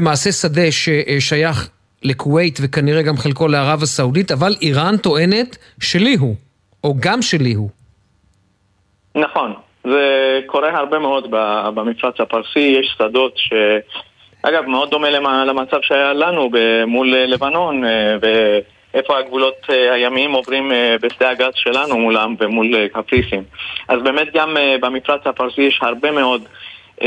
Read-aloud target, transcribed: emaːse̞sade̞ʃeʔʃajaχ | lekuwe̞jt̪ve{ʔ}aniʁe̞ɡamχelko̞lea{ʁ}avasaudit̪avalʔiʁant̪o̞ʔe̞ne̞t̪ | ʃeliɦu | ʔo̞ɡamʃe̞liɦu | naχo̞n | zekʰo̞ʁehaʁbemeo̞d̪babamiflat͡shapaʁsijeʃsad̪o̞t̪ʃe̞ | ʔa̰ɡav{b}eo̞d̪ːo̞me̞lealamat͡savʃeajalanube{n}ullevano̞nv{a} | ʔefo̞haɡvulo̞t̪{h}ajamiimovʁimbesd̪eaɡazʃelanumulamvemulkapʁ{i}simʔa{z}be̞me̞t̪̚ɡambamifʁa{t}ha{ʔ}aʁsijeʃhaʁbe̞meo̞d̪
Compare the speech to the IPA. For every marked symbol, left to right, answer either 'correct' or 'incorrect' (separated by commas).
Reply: incorrect, correct, incorrect, incorrect, incorrect, correct, correct, correct, incorrect, incorrect